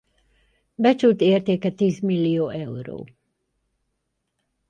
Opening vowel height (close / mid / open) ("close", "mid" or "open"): mid